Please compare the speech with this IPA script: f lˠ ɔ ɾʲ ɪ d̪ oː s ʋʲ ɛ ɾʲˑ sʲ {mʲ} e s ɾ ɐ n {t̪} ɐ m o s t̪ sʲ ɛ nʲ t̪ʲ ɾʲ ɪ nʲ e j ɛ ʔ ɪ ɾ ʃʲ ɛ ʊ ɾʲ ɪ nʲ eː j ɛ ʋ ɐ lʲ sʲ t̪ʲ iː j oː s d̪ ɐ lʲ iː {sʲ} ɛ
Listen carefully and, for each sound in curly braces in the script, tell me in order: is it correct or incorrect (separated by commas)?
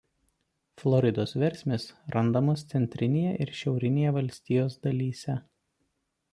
correct, incorrect, correct